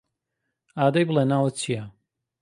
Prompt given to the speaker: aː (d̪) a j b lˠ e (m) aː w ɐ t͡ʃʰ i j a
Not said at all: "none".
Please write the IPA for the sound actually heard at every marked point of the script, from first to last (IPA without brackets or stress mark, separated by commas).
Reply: d̪, n